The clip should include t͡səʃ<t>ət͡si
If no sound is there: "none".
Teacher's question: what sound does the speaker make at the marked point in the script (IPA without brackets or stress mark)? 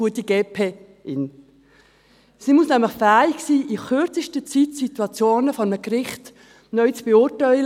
t